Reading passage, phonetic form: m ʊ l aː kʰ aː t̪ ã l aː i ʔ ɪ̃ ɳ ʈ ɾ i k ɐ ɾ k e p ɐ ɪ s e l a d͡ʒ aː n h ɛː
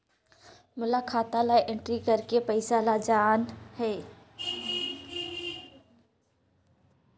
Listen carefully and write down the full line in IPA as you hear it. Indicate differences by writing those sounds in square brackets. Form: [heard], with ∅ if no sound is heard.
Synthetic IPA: m ʊ l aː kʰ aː t̪ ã l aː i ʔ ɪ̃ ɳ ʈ ɾ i k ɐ ɾ k e p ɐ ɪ s [a] l a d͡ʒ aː n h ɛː